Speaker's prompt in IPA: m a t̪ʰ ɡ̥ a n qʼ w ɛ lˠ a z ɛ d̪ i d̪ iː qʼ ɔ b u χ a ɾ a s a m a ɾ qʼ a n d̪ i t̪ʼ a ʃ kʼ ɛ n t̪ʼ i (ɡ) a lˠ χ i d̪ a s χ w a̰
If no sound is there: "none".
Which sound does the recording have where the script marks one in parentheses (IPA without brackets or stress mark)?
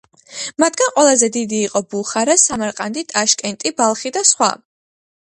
b